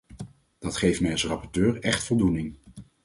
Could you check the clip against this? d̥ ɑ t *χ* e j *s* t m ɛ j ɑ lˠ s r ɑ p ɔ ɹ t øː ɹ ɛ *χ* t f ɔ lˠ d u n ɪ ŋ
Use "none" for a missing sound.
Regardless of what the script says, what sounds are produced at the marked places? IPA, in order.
χ, f, χ

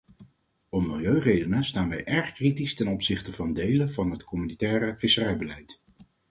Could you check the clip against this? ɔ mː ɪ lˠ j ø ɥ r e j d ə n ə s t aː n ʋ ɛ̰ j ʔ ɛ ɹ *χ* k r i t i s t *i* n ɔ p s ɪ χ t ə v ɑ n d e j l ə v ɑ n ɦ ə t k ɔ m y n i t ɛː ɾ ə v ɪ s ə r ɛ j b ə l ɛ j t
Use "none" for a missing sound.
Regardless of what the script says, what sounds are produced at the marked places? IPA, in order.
χ, ɛ

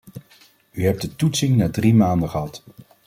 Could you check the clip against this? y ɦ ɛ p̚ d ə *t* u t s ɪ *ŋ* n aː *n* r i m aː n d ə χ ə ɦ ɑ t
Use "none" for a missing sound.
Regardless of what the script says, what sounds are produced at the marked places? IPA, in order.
t, ŋ, d

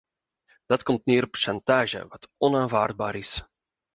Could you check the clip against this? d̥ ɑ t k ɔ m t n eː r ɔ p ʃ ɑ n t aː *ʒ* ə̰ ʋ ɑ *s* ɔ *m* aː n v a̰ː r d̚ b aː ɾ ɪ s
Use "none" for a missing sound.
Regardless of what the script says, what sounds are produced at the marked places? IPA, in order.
ʒ, t, n

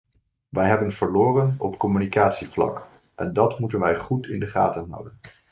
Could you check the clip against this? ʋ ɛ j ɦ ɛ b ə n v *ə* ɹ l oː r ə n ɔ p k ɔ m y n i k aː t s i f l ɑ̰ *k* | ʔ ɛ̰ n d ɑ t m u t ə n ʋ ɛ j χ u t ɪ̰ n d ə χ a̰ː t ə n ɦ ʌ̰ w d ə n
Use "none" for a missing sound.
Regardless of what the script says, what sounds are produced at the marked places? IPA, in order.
ə, k

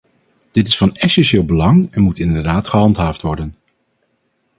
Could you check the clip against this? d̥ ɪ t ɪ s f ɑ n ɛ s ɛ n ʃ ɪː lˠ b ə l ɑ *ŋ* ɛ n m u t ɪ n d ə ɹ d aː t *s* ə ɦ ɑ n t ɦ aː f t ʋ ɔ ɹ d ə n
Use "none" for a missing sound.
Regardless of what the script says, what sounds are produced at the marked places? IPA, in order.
ŋ, χ

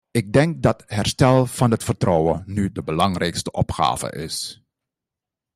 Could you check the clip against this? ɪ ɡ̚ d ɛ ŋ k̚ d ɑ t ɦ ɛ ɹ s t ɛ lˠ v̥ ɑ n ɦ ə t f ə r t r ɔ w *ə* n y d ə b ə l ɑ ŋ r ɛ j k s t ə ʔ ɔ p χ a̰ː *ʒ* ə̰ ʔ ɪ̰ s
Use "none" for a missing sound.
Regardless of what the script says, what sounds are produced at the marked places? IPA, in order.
ə, v

